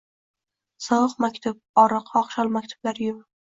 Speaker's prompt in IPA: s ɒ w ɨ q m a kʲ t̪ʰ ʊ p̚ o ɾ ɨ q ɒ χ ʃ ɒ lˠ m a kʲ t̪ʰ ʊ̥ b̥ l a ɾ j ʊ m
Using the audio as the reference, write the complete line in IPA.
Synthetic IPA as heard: s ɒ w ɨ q m a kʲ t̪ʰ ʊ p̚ ɒ ɾ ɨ q ɒ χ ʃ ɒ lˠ m a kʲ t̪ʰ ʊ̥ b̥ l a ɾ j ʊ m

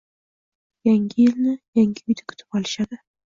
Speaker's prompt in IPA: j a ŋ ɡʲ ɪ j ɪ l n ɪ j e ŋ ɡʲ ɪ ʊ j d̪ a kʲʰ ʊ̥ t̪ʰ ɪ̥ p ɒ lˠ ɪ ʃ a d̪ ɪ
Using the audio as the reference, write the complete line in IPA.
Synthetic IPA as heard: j a ŋ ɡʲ ɪ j ɪ l n ɪ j a ŋ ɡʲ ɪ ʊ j d̪ a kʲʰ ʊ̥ t̪ʰ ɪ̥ p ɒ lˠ ɪ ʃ a d̪ ɪ

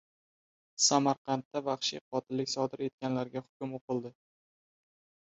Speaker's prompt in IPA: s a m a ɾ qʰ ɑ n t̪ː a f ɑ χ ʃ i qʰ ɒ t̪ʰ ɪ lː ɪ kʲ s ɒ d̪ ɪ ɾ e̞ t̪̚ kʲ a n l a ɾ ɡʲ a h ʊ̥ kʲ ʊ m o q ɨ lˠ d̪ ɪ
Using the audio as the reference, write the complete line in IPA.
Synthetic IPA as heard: s a m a ɾ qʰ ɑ n t̪ː a v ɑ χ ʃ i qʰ ɒ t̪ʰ ɪ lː ɪ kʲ s ɒ d̪ ɪ ɾ e̞ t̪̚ kʲ a n l a ɾ ɡʲ a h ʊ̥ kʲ ʊ m o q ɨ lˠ d̪ ɪ

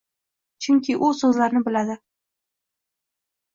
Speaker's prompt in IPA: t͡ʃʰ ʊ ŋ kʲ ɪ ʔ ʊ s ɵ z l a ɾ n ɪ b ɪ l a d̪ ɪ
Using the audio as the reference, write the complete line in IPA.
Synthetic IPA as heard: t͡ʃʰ ʊ ŋ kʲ ɪ ʔ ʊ s ɵ z l a ɾ n ɪ b ɪ l a d̪ ɪ

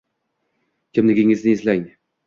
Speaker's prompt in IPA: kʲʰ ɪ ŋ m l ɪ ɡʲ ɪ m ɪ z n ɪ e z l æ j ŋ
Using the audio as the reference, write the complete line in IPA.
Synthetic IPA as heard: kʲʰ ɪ m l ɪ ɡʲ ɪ ŋ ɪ z n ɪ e z l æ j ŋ

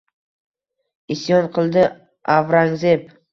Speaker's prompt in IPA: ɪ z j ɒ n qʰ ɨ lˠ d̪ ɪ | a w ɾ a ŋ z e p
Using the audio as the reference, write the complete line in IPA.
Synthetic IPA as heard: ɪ s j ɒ n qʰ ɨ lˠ d̪ ɪ | a v ɾ a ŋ z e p

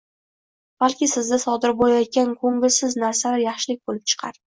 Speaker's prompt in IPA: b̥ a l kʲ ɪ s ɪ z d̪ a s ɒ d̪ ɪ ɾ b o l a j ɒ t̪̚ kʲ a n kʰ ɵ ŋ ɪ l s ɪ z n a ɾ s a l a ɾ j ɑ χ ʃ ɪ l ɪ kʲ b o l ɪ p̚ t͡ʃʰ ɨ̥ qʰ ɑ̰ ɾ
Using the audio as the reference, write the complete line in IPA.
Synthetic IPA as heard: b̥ a l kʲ ɪ s ɪ z d̪ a s ɒ d̪ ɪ ɾ b o l a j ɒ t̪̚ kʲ a n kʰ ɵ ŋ ɪ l s ɪ z n a ɾ s a l a ɾ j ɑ χ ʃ ɪ l ɪ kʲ b o l ɪ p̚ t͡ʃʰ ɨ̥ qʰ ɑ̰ ɾ

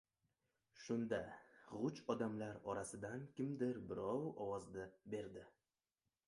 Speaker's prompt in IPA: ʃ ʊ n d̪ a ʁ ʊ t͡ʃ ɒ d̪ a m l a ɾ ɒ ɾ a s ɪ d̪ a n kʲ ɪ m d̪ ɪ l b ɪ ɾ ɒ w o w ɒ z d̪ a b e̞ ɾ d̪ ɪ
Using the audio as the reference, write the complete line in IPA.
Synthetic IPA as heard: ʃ ʊ n d̪ a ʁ ʊ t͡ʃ ɒ d̪ a m l a ɾ ɒ ɾ a s ɪ d̪ a n kʲ ɪ m d̪ ɪ ɾ b ɪ ɾ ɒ w ɒ w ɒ z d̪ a b e̞ ɾ d̪ ɪ

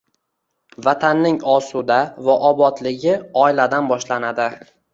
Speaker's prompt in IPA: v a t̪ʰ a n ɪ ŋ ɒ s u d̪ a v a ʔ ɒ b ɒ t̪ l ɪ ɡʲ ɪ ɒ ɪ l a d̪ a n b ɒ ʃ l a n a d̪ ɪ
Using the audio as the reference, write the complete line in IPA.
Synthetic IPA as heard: v a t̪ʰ a nː ɪ ŋ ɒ s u d̪ a v a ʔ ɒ b ɒ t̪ l ɪ ɡʲ ɪ ɒ ɪ l a d̪ a n b ɒ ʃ l a n a d̪ ɪ

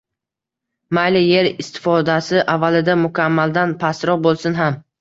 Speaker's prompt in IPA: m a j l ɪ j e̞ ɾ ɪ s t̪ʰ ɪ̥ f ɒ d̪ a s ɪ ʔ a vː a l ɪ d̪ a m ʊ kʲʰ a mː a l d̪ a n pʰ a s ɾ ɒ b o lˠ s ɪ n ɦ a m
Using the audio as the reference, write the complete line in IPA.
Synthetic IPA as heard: m a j l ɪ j e̞ ɾ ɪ s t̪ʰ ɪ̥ f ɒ d̪ a s ɪ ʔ a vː a l ɪ d̪ a m ʊ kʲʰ a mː a l d̪ a n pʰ a s ɾ ɒ b o lˠ s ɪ n ɦ a m

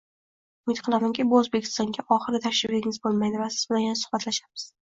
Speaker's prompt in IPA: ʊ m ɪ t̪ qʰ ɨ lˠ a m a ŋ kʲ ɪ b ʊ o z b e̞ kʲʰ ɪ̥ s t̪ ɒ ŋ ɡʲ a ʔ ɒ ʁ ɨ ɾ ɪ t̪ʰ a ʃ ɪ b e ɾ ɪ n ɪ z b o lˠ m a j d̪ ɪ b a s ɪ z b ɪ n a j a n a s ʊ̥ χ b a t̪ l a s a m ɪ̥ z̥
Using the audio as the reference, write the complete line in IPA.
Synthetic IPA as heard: ʊ m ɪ t̪ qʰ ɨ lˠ a m a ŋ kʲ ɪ b ʊ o z b e̞ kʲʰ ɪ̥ s t̪ ɒ ŋ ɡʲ a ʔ ɒ χ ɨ ɾ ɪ t̪ʰ a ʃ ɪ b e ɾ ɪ ŋ ɪ z b o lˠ m a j d̪ ɪ v a s ɪ z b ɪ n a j a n a s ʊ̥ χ b a t̪ l a ʃ a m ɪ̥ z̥

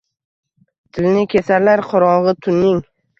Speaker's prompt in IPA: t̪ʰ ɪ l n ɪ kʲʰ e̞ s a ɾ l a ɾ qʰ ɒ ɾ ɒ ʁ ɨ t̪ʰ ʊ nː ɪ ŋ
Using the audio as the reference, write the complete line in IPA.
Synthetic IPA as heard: t̪ʰ ɪ l n ɪ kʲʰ e̞ s a ɾ l a ɾ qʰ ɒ ɾ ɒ ʁ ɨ t̪ʰ ʊ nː ɪ ŋ

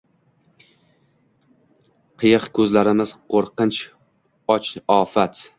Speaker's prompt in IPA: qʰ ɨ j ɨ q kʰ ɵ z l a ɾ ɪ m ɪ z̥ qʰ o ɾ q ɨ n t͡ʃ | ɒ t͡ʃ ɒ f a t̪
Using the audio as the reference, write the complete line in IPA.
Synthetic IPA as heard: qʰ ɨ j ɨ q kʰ ɵ z l a ɾ ɪ m ɪ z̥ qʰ o ɾ q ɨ n t͡ʃ | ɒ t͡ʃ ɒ f a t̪

